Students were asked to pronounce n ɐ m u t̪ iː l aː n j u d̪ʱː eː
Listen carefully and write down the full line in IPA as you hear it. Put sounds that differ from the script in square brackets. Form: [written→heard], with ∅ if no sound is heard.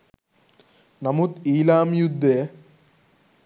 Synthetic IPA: n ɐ m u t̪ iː l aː [n→m] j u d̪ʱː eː